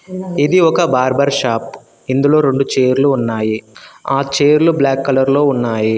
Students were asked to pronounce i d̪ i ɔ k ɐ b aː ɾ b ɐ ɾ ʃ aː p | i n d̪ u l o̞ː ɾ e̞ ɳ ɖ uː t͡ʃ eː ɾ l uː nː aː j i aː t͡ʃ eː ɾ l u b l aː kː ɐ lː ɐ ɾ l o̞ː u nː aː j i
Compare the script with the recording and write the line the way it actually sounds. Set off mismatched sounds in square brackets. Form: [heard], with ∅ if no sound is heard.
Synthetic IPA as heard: i d̪ i ɔ k ɐ b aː ɾ b ɐ ɾ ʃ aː p | i n d̪ u l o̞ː ɾ e̞ ɳ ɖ [u] t͡ʃ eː ɾ l uː nː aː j i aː t͡ʃ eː ɾ l u b l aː kː ɐ [l] ɐ ɾ l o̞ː u nː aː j i